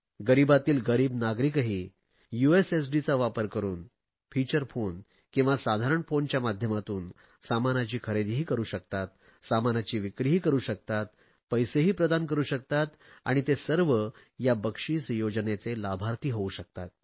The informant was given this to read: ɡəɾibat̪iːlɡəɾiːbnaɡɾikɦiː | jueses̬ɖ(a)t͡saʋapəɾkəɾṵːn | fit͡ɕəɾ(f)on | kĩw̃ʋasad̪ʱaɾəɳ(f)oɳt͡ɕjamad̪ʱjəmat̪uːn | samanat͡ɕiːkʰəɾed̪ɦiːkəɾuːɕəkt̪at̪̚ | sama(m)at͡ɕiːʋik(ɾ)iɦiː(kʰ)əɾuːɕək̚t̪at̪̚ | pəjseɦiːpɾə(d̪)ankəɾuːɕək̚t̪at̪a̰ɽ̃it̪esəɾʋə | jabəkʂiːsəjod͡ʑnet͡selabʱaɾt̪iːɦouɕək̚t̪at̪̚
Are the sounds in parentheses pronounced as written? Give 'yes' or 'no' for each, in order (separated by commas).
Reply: no, yes, yes, no, yes, no, yes